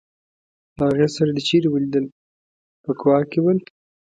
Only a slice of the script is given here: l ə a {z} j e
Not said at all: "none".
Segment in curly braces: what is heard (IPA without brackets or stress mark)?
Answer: ɣ